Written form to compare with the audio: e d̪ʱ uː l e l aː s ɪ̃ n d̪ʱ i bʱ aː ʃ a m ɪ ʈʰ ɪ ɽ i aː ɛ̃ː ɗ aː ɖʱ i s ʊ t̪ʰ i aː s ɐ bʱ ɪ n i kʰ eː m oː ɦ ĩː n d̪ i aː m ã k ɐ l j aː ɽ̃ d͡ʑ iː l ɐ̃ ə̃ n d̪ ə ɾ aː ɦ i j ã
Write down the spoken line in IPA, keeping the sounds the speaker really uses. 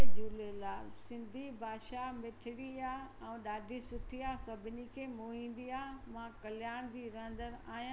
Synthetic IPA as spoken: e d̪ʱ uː l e l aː s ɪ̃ n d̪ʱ i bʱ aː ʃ a m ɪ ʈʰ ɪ ɽ i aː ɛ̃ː ɗ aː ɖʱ i s ʊ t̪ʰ i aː s ɐ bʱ ɪ n i kʰ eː m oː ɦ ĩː n d̪ i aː m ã k ɐ l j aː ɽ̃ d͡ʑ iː ɾ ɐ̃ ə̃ n d̪ ə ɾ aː ɦ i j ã